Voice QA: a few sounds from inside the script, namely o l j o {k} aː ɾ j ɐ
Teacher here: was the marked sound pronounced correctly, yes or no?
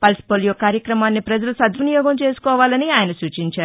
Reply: yes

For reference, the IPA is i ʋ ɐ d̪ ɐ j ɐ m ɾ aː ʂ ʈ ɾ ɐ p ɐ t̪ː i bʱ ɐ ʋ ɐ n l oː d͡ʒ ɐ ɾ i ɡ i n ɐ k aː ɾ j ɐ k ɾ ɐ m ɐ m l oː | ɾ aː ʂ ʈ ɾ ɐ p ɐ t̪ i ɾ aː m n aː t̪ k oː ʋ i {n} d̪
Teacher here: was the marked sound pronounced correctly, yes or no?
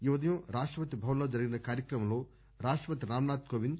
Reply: yes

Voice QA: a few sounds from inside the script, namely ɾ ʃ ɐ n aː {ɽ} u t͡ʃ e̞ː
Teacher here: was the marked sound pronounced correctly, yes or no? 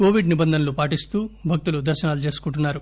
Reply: no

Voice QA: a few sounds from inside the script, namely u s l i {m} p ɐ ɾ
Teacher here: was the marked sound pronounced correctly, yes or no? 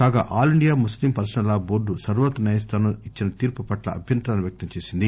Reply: yes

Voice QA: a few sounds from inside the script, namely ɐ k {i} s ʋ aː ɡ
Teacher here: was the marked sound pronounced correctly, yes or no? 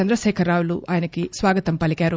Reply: yes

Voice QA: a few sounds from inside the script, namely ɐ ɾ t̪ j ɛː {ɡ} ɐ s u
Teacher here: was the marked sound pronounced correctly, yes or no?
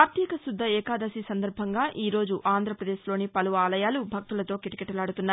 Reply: no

